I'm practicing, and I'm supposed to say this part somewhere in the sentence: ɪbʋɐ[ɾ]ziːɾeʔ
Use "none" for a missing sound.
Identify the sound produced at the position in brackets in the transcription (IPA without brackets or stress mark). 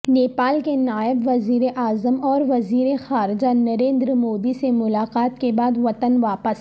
none